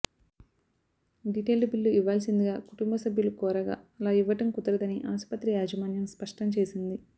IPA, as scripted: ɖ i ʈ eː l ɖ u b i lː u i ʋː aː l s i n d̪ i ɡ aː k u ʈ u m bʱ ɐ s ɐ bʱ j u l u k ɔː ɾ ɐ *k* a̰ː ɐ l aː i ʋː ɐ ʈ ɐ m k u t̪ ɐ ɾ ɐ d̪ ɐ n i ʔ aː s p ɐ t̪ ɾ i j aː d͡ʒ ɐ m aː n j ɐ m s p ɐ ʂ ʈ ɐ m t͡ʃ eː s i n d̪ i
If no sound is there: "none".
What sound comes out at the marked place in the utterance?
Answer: ɡ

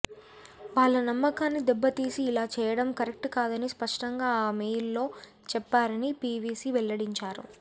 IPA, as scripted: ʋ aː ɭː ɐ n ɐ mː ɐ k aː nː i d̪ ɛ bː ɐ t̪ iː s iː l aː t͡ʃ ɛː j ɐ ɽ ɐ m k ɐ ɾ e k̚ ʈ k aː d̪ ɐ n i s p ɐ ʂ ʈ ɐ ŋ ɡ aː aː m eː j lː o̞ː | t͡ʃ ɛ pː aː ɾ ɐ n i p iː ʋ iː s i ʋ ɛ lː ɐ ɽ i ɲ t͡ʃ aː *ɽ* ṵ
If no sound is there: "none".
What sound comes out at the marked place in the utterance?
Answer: ɾ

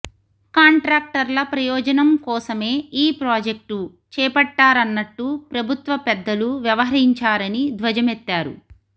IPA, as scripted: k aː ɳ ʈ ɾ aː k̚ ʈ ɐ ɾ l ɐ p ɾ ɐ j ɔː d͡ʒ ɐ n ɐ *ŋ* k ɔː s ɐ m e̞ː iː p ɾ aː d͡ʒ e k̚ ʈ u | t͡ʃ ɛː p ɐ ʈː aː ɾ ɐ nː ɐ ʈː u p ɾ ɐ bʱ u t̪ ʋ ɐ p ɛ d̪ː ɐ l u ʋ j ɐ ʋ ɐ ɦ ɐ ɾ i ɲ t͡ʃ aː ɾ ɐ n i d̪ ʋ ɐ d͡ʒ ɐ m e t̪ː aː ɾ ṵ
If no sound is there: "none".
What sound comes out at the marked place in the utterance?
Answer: m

